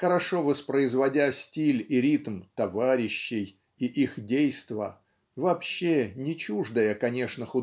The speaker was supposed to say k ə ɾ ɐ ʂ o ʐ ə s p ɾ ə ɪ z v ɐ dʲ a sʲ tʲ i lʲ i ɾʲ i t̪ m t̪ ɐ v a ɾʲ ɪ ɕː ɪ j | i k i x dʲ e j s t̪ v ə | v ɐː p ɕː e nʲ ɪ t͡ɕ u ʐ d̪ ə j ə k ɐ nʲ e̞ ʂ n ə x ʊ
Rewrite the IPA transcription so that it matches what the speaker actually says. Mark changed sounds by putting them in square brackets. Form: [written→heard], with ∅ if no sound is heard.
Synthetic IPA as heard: [k→x] ə ɾ ɐ ʂ o [ʐ→v] ə s p ɾ ə ɪ z v ɐ dʲ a sʲ tʲ i lʲ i ɾʲ i t̪ m t̪ ɐ v a ɾʲ ɪ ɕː ɪ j | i [k→ʔ] i x dʲ e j s t̪ v ə | v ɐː p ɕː e nʲ ɪ t͡ɕ u ʐ d̪ ə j ə k ɐ nʲ e̞ ʂ n ə x ʊ